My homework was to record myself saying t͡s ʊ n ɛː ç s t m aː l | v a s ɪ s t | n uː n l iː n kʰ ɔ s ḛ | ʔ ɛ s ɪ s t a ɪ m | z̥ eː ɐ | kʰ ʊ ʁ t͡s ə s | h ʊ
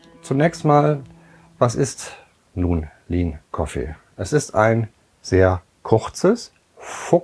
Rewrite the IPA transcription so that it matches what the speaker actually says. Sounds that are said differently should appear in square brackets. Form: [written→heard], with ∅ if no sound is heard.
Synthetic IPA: t͡s [ʊ→u] n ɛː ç s t m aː l | v a s ɪ s t | n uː n l iː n kʰ ɔ [s→f] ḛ | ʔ ɛ s ɪ s t a ɪ [m→n] | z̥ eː ɐ | kʰ ʊ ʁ t͡s ə s | [h→f] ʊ

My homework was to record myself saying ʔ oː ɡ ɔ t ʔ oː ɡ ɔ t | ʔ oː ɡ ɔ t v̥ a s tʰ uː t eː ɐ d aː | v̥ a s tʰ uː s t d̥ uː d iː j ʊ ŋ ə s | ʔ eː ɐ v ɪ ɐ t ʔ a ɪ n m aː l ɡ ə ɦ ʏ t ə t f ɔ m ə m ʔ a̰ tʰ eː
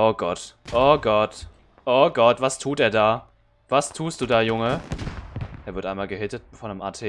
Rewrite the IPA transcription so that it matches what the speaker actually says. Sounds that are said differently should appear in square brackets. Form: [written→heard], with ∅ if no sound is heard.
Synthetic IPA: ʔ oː ɡ ɔ t ʔ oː ɡ ɔ t | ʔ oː ɡ ɔ t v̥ a s tʰ uː t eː ɐ d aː | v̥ a s tʰ uː s t d̥ uː d [iː→aː] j ʊ ŋ ə [s→∅] | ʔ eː ɐ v ɪ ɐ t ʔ a ɪ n m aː l ɡ ə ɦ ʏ t ə t f ɔ [m→n] ə m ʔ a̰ tʰ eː

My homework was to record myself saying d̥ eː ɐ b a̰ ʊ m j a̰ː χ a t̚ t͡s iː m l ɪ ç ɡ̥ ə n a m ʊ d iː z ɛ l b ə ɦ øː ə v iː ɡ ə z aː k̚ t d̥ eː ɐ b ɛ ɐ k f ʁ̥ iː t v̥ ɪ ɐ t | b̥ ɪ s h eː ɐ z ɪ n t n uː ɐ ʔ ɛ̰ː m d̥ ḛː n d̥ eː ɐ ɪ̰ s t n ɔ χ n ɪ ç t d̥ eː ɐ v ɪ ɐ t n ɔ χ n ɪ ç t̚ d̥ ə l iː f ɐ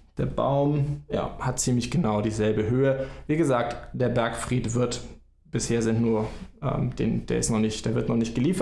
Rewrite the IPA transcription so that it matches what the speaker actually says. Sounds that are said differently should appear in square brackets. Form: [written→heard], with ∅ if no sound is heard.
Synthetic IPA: d̥ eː ɐ b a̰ ʊ m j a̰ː [χ→h] a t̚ t͡s iː m l ɪ ç ɡ̥ ə n a [m→∅] ʊ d iː z ɛ l b ə ɦ øː ə v iː ɡ ə z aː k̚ t d̥ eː ɐ b ɛ ɐ k f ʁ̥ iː t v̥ ɪ ɐ t | b̥ ɪ s h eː ɐ z ɪ n t n uː ɐ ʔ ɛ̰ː m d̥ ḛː n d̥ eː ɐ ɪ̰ s t n ɔ χ n ɪ ç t d̥ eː ɐ v ɪ ɐ t n ɔ χ n ɪ ç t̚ [d̥→ɡ̥] ə l iː f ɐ

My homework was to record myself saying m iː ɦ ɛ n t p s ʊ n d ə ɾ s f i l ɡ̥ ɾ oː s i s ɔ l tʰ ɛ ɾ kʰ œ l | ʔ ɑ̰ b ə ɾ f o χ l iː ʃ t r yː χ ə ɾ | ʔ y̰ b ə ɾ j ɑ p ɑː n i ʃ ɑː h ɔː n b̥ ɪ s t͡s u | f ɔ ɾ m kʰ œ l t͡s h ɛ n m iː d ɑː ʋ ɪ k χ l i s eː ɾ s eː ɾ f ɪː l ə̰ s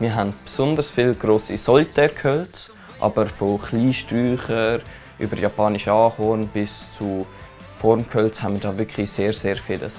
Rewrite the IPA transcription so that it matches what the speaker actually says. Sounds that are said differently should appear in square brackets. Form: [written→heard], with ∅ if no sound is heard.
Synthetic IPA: m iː ɦ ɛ n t p s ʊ n d ə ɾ s f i l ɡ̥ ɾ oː s i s ɔ l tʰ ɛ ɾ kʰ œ l | ʔ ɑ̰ b ə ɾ f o χ l iː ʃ t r yː χ ə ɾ | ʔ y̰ b ə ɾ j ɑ p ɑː n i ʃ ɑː h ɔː n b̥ ɪ s t͡s u | f ɔ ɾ m kʰ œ l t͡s h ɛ n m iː d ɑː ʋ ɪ k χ l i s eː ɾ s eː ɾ f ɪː l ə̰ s

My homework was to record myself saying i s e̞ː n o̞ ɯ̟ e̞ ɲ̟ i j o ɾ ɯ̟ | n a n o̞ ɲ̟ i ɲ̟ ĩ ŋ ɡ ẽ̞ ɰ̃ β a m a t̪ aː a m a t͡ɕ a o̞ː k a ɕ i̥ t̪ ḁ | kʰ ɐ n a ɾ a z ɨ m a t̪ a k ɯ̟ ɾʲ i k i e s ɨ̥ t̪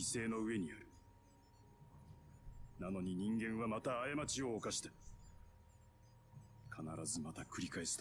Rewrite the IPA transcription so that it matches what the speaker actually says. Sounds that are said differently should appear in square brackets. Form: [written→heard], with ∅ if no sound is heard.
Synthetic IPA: i s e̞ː n o̞ ɯ̟ e̞ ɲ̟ i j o ɾ ɯ̟ | n a n o̞ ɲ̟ i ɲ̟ ĩ ŋ ɡ ẽ̞ ɰ̃ β a m a t̪ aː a m a t͡ɕ [a→i] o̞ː k a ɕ i̥ t̪ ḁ | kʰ [ɐ→a] n a ɾ a z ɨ m a t̪ a k ɯ̟ ɾʲ i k [i→a] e s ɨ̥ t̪

